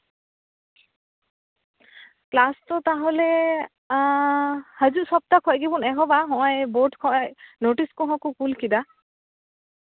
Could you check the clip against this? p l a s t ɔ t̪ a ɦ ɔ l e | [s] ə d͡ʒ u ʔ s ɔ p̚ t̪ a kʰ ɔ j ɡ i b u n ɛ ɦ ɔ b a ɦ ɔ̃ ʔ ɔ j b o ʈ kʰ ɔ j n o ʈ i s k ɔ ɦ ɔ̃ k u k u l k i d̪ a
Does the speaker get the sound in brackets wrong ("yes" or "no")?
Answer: yes